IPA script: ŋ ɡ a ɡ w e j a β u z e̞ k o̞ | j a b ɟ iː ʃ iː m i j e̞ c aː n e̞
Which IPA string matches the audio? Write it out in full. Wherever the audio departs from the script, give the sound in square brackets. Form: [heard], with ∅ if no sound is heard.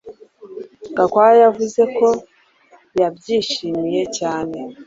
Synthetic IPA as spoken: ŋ ɡ a [k] w [a] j a [v] u z e̞ k o̞ | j a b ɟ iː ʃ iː m i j e̞ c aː n e̞